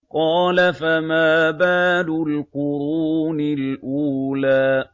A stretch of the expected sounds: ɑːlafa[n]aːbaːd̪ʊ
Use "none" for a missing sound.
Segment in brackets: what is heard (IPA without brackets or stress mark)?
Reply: m